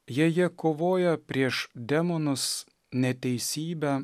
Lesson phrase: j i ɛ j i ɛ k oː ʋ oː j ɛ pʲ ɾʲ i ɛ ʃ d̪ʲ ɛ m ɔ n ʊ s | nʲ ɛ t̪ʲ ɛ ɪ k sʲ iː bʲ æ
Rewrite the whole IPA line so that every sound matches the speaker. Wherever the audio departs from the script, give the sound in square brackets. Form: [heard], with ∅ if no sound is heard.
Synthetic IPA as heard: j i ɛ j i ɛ k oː ʋ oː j ɛ pʲ ɾʲ i ɛ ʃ d̪ʲ ɛ m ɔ n ʊ s | nʲ ɛ t̪ʲ ɛ ɪ [∅] sʲ iː bʲ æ